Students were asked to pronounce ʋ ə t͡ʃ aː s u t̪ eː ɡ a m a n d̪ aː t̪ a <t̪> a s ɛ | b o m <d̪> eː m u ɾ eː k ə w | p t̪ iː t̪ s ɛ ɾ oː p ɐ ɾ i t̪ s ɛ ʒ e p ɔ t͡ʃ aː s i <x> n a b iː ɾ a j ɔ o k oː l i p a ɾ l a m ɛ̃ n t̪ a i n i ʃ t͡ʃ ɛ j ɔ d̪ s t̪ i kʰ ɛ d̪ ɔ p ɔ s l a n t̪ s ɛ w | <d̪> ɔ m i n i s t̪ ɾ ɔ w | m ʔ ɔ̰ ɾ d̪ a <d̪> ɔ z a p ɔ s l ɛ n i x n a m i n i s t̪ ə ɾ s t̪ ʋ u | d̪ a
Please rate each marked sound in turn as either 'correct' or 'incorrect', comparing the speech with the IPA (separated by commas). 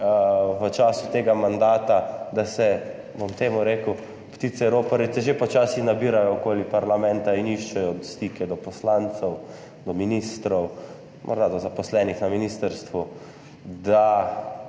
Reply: incorrect, incorrect, correct, correct, correct